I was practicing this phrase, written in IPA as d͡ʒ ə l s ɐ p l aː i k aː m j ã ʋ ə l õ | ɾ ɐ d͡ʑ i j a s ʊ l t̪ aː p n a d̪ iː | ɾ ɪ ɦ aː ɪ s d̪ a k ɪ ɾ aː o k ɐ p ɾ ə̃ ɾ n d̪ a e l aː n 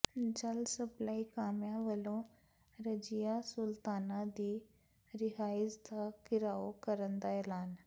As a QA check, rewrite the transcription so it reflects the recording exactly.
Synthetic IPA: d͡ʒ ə l s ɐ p l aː i k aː m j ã ʋ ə l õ | ɾ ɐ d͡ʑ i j a s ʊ l t̪ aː n a d̪ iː | ɾ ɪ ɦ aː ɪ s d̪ a k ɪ ɾ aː o k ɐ ɾ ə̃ n d̪ a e l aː n

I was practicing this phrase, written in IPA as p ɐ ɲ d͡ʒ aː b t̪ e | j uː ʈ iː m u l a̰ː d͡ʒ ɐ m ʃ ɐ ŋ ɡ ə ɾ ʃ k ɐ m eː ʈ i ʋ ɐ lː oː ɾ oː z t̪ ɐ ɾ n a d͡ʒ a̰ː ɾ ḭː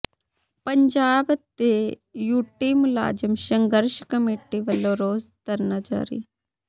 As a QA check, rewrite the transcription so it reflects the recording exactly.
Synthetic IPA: p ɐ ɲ d͡ʒ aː b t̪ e | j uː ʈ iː m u l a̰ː d͡ʒ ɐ m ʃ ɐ ŋ ɡ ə ɾ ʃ k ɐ m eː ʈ i ʋ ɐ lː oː ɾ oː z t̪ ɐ ɾ n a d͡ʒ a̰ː ɾ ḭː

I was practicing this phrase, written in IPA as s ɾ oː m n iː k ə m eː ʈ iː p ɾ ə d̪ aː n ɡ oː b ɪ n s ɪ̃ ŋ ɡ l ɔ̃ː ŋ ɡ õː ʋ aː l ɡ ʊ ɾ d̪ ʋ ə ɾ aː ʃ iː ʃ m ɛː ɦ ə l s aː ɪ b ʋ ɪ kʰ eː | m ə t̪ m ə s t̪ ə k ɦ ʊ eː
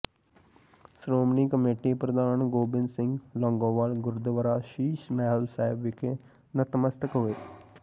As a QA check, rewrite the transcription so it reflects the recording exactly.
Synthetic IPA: s ɾ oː m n iː k ə m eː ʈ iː p ɾ ə d̪ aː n ɡ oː b ɪ n s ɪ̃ ŋ ɡ l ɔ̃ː ŋ ɡ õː ʋ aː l ɡ ʊ ɾ d̪ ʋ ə ɾ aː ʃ iː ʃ m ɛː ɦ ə l s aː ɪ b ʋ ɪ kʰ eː | n ə t̪ m ə s t̪ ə k ɦ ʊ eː

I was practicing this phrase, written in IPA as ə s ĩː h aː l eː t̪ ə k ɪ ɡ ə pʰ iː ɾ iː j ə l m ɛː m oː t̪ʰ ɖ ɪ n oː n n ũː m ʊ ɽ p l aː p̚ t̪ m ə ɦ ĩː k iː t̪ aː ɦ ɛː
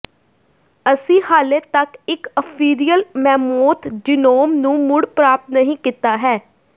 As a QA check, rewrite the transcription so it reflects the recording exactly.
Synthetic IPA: ə s ĩː h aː l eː t̪ ə k ɪ k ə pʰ iː ɾ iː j ə l m ɛː m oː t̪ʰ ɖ ɪ n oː m n ũː m ʊ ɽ p ɾ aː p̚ t̪ n ə ɦ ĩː k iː t̪ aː ɦ ɛː

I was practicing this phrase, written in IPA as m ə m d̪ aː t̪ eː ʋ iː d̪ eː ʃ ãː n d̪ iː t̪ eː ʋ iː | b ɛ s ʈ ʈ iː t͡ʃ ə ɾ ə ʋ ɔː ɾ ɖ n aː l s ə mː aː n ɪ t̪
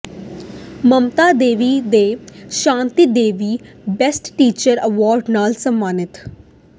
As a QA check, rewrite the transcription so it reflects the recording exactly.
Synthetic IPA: m ə m t̪ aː d̪ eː ʋ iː d̪ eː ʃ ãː n t̪ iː d̪ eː ʋ iː | b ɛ s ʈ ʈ iː t͡ʃ ə ɾ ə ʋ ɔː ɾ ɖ n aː l s ə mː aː n ɪ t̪

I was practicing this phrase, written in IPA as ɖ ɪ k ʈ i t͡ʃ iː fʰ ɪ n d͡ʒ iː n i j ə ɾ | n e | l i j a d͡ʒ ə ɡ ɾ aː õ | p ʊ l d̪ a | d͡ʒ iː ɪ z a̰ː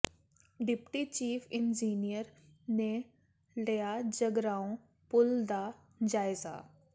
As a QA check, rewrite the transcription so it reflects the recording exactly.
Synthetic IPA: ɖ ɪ p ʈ i t͡ʃ iː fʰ ɪ n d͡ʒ iː n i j ə ɾ | n e | l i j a d͡ʒ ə ɡ ɾ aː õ | p ʊ l d̪ a | d͡ʒ aː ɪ z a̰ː

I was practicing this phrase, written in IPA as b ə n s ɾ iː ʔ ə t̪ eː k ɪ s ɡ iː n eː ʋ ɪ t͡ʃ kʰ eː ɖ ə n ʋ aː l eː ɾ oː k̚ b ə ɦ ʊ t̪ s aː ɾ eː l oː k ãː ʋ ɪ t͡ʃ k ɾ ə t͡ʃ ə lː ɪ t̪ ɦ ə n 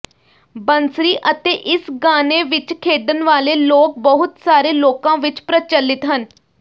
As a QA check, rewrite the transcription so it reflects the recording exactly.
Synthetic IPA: b ə n s ɾ iː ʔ ə t̪ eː ʔ ɪ s ɡ aː n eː ʋ ɪ t͡ʃ kʰ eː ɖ ə n ʋ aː l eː l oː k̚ b ə ɦ ʊ t̪ s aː ɾ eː l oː k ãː ʋ ɪ t͡ʃ p ɾ ə t͡ʃ ə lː ɪ t̪ ɦ ə n

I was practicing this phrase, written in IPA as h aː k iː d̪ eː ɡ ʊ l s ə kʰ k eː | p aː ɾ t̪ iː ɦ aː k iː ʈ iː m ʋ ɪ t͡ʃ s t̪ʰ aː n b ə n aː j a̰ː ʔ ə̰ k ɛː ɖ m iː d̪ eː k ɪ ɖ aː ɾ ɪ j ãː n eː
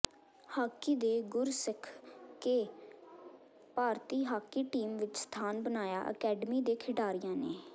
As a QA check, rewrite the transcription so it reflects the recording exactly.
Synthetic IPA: h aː k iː d̪ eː ɡ ʊ ɾ s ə kʰ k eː | p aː ɾ t̪ iː ɦ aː k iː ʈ iː m ʋ ɪ t͡ʃ s t̪ʰ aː n b ə n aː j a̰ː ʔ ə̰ k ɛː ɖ m iː d̪ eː kʰ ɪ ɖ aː ɾ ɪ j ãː n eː

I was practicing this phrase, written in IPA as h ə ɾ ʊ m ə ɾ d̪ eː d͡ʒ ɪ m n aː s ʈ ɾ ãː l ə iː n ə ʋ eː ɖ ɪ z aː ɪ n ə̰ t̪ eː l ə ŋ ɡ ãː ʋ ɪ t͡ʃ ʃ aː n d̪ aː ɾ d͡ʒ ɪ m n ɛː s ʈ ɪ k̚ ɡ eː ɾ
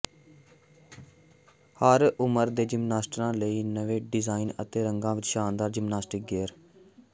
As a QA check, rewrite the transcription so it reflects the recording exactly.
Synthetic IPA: h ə ɾ ʊ m ə ɾ d̪ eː d͡ʒ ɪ m n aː s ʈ ɾ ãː l ə iː n ə ʋ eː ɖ ɪ z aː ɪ n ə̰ t̪ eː ɾ ə ŋ ɡ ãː ʋ ɪ t͡ʃ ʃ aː n d̪ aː ɾ d͡ʒ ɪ m n aː s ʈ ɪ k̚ ɡ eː ɾ

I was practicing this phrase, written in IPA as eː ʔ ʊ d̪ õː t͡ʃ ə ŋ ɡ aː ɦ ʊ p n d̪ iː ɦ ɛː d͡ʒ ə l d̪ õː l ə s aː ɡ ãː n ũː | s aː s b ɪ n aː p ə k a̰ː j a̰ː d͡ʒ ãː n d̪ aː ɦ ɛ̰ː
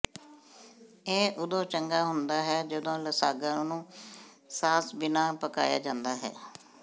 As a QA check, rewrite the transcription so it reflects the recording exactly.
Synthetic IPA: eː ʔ ʊ d̪ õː t͡ʃ ə ŋ ɡ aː ɦ ʊ n d̪ aː ɦ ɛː d͡ʒ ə d̪ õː l ə s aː ɡ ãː n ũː | s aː s b ɪ n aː p ə k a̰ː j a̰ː d͡ʒ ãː n d̪ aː ɦ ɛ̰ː

